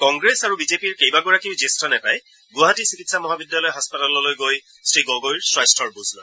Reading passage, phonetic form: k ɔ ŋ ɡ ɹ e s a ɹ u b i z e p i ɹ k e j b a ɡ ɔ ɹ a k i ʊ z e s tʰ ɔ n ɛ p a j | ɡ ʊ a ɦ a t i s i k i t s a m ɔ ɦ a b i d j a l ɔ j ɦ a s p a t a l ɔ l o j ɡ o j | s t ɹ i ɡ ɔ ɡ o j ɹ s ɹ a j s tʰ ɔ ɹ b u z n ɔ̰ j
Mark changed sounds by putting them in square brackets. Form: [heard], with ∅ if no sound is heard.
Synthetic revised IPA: k ɔ ŋ ɡ ɹ e s a ɹ u b i z e p i ɹ k e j b a ɡ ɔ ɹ a k i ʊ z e s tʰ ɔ n ɛ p a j | ɡ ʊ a ɦ a t i s i k i t s a m ɔ ɦ a b i d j a l ɔ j ɦ a s p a t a l ɔ l o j ɡ o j | s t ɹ i ɡ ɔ ɡ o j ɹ s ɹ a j s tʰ ɔ ɹ b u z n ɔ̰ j